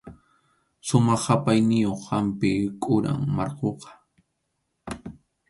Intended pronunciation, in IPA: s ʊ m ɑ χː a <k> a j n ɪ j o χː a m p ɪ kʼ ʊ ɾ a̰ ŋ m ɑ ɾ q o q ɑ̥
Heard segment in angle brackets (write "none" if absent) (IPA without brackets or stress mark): p